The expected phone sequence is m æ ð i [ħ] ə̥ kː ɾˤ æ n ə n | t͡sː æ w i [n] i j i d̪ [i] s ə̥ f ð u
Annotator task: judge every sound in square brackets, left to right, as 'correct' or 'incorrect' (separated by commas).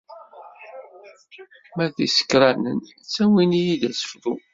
incorrect, correct, incorrect